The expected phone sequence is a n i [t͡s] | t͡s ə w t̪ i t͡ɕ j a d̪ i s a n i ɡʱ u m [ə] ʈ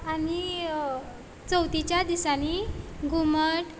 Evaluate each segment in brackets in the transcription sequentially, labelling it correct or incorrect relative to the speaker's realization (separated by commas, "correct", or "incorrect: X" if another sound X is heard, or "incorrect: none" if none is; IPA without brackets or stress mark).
incorrect: none, correct